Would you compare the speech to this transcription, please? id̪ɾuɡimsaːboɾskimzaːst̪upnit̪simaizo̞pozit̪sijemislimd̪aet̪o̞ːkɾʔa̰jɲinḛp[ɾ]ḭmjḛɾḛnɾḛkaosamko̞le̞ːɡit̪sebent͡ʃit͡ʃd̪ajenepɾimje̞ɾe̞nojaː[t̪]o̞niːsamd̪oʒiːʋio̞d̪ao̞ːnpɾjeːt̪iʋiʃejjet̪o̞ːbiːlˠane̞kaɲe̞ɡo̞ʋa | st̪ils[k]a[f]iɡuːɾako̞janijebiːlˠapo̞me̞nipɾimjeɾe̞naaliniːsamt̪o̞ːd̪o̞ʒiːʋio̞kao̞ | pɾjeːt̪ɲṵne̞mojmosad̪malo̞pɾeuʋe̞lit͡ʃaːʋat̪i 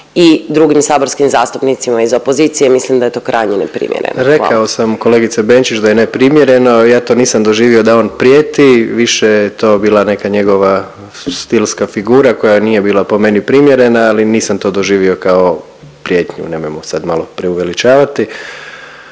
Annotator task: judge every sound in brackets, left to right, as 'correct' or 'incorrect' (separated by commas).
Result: correct, correct, correct, correct